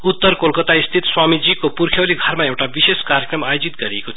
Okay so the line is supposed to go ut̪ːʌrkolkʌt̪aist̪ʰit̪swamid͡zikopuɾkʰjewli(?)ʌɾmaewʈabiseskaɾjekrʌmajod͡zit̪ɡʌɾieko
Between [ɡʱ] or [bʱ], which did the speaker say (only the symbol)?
ɡʱ